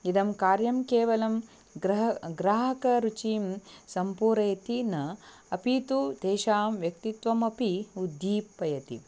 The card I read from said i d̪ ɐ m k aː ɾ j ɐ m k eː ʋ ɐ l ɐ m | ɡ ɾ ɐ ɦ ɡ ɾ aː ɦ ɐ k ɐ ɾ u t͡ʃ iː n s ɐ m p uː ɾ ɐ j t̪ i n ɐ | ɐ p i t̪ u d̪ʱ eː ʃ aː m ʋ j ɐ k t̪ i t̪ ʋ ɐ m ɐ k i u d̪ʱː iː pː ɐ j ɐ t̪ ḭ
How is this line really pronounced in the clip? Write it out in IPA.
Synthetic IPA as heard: i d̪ ɐ m k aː ɾ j ɐ m k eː ʋ ɐ l ɐ m | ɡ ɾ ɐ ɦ ɡ ɾ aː ɦ ɐ k ɐ ɾ u t͡ʃ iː m s ɐ m p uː ɾ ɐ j t̪ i n ɐ | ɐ p i t̪ u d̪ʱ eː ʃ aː m ʋ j ɐ k t̪ i t̪ ʋ ɐ m ɐ p i u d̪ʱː iː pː ɐ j ɐ t̪ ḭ